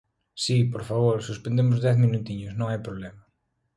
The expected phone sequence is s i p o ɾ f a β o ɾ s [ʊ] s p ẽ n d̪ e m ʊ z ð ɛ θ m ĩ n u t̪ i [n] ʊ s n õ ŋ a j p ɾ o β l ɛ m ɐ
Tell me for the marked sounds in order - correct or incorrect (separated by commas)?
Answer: incorrect, incorrect